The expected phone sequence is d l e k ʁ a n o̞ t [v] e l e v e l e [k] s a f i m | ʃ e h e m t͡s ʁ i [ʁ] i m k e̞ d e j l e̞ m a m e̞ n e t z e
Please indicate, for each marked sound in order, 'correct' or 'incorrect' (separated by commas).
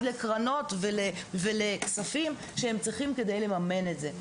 correct, correct, incorrect